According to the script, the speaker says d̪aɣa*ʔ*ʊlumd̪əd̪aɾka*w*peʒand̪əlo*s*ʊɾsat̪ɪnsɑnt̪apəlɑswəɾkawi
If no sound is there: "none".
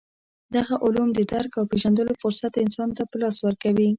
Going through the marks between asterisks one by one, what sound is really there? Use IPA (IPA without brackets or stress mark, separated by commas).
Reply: ʔ, w, f